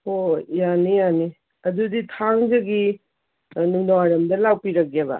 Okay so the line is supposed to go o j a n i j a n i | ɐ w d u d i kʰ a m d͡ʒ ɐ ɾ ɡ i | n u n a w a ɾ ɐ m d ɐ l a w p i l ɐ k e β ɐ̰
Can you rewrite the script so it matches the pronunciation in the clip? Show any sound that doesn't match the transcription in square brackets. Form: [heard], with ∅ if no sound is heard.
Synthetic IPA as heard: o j a n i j a n i | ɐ [∅] d u d i [tʰ] a [ŋ] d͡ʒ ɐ [∅] ɡ i | n u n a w a ɾ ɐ m d ɐ l a w p i [ɾ] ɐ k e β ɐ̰